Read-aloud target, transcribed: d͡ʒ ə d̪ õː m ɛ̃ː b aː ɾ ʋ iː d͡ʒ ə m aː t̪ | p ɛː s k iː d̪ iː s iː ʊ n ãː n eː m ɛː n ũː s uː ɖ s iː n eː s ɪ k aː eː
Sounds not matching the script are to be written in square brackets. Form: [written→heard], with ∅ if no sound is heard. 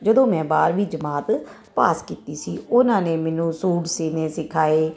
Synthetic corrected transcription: d͡ʒ ə d̪ õː m ɛ̃ː b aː ɾ ʋ iː d͡ʒ ə m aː t̪ | p [ɛː→aː] s k iː [d̪→t̪] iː s iː ʊ n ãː n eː m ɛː n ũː s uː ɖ s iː n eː s ɪ [k→kʰ] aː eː